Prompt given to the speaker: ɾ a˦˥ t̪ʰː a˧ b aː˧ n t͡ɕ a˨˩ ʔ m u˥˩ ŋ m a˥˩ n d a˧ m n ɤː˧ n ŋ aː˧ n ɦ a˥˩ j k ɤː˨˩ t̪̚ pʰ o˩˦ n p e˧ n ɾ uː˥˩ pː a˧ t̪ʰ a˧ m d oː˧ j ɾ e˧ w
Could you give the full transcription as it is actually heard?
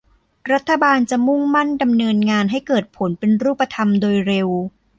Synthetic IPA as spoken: ɾ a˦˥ t̪ʰː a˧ b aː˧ n t͡ɕ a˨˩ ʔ m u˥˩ ŋ m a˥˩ n d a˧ m n ɤː˧ n ŋ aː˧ n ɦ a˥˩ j k ɤː˨˩ t̪̚ pʰ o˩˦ n p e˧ n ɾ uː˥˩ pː a˧ t̪ʰ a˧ m d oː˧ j ɾ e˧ w

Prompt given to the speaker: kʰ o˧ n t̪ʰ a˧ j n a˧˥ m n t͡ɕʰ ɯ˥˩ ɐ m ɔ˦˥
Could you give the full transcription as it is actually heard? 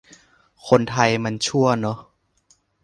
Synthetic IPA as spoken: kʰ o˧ n t̪ʰ a˧ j m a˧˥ n t͡ɕʰ u˥˩ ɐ n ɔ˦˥

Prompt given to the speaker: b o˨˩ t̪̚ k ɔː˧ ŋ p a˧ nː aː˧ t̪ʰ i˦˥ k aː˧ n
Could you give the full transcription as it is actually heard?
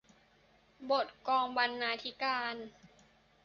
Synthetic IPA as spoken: b o˨˩ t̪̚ k ɔː˧ ŋ b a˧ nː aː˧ t̪ʰ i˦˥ k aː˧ n

